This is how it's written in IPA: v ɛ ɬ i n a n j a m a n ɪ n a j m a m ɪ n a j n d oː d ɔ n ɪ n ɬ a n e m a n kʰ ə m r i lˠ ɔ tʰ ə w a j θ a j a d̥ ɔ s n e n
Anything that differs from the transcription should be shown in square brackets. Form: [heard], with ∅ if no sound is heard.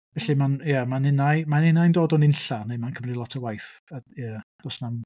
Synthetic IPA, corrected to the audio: v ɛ ɬ i [m] a n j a m a n ɪ n a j m a [n] ɪ n a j n d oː d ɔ n ɪ n ɬ a n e m a n kʰ ə m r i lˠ ɔ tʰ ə w a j θ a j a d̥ ɔ s n [a] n